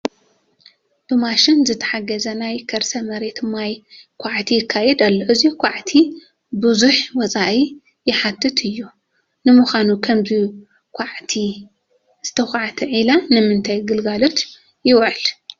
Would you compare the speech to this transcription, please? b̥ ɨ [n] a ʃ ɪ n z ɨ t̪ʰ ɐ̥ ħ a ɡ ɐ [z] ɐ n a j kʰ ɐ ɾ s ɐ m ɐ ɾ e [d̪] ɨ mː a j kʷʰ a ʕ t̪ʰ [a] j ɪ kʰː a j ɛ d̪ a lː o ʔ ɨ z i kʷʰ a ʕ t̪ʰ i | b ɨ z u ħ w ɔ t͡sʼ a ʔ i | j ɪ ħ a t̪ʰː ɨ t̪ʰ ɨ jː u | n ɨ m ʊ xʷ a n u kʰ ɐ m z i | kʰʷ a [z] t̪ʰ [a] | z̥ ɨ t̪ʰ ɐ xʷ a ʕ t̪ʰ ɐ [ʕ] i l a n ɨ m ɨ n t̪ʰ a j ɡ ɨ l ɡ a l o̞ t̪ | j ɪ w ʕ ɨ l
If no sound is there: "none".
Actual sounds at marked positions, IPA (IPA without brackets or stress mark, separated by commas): m, z, t̪, i, ʕ, i, ʕ